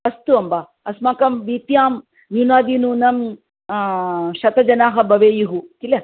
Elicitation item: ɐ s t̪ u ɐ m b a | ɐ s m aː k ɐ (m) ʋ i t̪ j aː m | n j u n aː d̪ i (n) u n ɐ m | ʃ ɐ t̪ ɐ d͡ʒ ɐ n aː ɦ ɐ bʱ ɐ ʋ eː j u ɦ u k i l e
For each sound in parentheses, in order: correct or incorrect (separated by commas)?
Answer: correct, correct